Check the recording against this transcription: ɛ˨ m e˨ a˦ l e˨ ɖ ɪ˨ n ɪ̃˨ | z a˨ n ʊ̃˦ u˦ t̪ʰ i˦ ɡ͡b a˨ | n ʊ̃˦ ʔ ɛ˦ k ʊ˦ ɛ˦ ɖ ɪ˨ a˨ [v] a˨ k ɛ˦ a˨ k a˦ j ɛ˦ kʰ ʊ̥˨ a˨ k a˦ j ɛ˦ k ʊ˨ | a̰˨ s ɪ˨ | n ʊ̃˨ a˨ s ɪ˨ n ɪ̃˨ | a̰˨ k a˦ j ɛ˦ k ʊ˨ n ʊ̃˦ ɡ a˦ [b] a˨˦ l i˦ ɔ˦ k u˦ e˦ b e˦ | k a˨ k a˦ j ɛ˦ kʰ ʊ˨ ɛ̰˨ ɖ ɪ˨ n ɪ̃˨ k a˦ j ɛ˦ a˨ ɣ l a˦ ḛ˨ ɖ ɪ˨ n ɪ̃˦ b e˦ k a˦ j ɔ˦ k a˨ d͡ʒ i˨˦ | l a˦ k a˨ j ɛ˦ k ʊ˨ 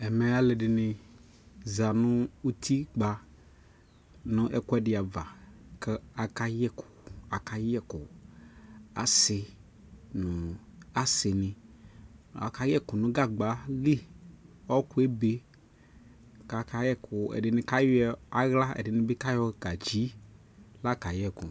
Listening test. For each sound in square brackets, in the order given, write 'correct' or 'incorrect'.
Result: correct, incorrect: ɡ͡b

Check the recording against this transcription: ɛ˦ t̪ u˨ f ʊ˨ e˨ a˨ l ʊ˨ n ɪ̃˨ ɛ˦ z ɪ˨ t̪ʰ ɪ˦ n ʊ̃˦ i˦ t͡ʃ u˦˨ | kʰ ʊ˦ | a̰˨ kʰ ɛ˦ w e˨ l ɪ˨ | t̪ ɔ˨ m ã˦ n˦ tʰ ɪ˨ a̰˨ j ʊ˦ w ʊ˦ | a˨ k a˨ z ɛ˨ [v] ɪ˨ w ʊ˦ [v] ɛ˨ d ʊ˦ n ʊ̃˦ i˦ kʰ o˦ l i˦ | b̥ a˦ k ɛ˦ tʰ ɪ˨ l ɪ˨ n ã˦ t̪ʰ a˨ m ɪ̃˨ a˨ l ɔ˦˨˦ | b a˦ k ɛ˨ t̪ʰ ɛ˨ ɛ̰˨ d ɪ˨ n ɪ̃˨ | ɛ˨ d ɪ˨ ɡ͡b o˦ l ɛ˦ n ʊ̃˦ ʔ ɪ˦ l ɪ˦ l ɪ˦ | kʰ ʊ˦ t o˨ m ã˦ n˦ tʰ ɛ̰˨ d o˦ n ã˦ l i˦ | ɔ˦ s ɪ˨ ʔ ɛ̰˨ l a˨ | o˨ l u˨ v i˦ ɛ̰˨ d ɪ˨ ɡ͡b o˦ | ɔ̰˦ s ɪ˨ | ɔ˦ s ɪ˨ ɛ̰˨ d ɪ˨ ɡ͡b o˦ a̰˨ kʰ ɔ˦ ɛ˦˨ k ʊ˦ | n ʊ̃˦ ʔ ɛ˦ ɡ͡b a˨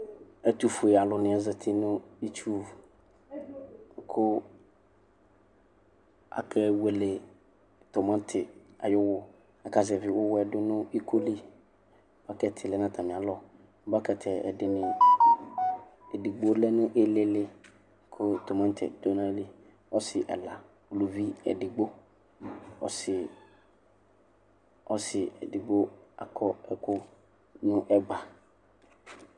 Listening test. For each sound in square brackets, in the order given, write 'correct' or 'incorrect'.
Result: correct, incorrect: w

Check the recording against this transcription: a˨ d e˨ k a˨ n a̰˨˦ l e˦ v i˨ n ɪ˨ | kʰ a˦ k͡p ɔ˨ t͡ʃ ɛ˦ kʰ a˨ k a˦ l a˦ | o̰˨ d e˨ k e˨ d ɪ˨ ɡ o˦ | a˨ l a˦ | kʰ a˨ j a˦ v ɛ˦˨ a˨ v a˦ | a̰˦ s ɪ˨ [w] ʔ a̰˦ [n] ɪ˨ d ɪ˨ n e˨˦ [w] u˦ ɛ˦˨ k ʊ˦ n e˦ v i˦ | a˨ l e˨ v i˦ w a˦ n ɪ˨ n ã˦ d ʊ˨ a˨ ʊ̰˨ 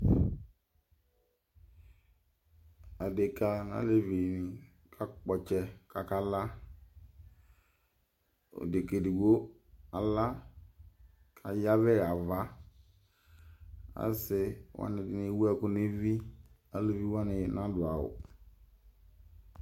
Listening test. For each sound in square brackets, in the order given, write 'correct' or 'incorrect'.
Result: correct, correct, correct

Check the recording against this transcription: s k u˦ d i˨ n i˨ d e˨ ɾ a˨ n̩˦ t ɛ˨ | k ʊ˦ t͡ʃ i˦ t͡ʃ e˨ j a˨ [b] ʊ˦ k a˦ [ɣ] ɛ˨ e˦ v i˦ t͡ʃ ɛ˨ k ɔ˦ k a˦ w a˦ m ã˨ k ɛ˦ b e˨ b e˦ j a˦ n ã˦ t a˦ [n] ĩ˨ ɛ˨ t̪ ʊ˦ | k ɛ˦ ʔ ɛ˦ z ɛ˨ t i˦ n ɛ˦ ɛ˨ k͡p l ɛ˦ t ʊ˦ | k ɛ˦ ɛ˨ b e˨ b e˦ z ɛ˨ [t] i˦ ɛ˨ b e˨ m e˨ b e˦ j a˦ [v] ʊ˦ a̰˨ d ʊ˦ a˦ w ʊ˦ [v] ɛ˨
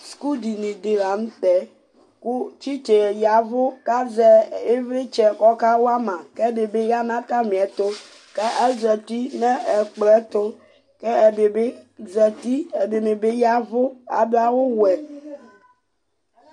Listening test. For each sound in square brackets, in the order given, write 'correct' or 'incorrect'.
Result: incorrect: v, incorrect: z, incorrect: m, correct, correct, incorrect: w

